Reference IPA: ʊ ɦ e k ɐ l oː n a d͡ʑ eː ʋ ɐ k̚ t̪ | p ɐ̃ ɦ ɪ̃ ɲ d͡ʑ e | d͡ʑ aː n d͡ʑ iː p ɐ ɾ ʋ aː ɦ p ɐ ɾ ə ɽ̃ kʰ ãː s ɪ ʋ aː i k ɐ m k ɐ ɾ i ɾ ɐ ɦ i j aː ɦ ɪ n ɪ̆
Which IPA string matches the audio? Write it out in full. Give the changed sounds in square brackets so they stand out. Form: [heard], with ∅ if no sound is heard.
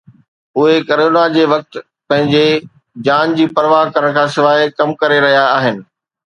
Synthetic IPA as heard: ʊ ɦ e k ɐ [ɾ] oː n a d͡ʑ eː ʋ ɐ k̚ t̪ | p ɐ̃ ɦ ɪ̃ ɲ d͡ʑ e | d͡ʑ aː n d͡ʑ iː p ɐ ɾ ʋ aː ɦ [k] ɐ ɾ ə ɽ̃ kʰ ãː s ɪ ʋ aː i k ɐ m k ɐ ɾ [e] ɾ ɐ ɦ i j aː ɦ ɪ n ɪ̆